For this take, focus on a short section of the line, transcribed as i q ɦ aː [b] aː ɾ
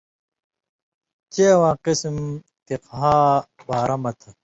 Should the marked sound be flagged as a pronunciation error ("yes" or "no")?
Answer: no